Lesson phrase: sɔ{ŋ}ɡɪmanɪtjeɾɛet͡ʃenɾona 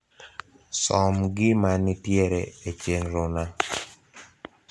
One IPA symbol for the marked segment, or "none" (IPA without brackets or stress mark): m